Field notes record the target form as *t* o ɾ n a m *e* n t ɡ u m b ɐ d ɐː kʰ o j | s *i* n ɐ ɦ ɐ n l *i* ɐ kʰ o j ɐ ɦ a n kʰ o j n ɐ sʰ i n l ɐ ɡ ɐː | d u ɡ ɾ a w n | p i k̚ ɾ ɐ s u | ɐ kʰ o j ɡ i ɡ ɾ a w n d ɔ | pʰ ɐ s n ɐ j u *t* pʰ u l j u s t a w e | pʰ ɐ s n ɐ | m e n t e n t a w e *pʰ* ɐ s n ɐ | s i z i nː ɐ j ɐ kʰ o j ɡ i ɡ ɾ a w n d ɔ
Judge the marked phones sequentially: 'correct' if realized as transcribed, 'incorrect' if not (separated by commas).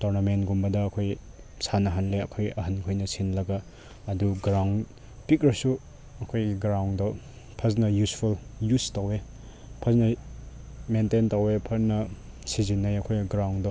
correct, correct, incorrect, incorrect, incorrect, correct